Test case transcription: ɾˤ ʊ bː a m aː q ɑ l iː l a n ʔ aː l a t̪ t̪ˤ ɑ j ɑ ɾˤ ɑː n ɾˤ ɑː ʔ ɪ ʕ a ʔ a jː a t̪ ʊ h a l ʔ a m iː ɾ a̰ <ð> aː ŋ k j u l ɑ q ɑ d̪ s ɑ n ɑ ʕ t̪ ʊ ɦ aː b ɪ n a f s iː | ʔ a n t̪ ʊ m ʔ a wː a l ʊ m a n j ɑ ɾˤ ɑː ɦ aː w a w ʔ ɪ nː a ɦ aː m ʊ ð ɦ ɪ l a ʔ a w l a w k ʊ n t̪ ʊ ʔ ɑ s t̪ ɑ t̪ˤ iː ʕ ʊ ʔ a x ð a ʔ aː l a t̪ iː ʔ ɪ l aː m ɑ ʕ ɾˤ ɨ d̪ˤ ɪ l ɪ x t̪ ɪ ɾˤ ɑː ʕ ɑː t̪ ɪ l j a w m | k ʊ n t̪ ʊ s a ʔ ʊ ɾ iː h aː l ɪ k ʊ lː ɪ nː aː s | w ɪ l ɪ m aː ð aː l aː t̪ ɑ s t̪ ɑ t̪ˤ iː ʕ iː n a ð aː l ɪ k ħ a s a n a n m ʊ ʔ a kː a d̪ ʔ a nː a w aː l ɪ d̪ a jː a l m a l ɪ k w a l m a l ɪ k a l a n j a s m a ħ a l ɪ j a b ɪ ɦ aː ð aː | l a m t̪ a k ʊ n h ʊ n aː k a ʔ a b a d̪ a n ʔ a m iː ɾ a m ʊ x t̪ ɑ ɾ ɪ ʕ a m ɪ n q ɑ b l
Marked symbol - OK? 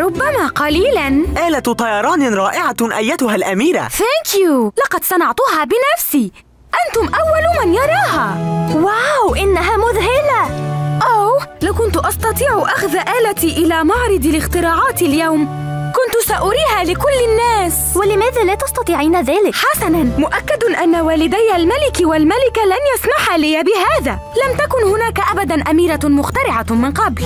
no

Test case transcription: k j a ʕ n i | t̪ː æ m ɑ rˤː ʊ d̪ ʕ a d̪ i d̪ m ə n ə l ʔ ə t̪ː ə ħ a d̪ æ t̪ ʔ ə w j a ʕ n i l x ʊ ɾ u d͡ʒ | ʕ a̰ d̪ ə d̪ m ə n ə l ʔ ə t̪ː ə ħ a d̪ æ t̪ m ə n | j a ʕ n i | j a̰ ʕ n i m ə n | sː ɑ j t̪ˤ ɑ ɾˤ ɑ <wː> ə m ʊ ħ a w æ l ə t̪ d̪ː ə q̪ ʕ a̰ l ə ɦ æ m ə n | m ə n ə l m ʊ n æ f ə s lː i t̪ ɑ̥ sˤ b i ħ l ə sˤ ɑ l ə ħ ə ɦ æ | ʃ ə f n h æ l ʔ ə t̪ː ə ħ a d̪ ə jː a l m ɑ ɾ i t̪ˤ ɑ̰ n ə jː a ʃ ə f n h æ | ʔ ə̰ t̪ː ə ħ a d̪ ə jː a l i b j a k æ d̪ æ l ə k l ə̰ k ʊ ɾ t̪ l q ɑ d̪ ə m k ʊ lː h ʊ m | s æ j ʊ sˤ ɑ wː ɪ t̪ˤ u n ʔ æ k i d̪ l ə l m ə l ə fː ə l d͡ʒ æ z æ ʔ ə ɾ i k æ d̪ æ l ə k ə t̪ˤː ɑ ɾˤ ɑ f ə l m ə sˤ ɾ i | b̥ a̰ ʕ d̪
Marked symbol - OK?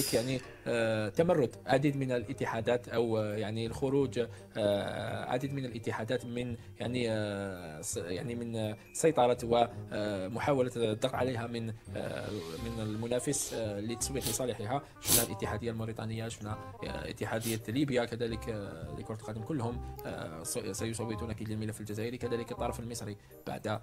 no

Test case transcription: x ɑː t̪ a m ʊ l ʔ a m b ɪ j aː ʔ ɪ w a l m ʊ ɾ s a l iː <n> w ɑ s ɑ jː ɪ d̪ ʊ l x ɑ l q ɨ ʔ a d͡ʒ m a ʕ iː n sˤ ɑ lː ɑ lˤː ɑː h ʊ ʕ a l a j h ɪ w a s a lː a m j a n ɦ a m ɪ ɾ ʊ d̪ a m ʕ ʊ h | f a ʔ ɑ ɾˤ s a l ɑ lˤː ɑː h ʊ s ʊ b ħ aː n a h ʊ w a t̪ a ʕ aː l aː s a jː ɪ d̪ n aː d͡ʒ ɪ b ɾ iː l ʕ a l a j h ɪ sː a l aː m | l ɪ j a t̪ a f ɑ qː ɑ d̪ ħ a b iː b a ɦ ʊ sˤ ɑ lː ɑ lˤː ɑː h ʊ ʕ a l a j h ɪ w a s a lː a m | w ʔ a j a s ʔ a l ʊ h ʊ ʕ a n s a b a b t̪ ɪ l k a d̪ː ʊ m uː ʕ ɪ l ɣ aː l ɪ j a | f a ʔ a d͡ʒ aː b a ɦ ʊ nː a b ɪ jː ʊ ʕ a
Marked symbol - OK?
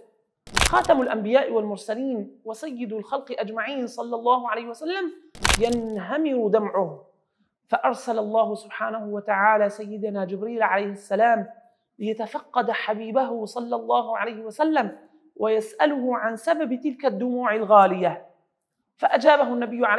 yes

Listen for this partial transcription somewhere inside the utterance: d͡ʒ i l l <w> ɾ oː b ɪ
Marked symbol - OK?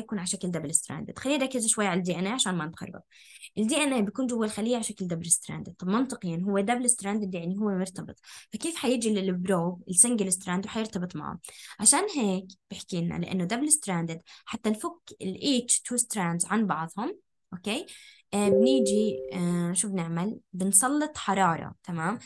no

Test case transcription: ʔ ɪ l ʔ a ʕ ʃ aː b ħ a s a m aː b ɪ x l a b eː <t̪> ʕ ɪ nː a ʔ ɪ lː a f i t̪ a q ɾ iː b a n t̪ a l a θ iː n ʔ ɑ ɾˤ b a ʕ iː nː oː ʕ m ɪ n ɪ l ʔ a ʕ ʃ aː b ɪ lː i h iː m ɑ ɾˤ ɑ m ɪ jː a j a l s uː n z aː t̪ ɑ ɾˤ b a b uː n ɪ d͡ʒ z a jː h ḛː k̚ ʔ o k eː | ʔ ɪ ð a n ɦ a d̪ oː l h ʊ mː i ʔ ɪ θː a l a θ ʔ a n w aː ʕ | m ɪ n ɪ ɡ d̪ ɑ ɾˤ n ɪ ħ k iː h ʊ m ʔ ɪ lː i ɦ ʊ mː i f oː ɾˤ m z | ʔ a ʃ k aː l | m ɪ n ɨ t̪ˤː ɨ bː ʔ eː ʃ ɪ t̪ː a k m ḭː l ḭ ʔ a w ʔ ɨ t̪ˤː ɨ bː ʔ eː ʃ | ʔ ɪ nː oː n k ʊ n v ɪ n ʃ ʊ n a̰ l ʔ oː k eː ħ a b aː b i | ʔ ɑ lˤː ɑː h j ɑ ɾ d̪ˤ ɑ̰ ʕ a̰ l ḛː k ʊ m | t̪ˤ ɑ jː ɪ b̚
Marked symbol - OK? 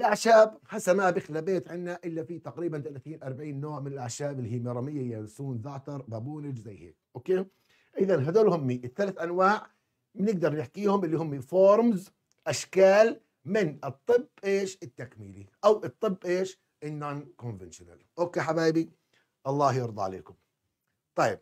yes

